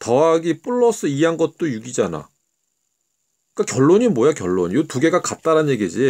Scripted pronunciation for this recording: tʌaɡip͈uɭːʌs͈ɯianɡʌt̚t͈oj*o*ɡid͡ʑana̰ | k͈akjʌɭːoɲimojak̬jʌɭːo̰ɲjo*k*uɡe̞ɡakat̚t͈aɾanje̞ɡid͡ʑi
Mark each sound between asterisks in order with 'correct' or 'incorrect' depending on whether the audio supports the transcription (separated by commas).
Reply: incorrect, incorrect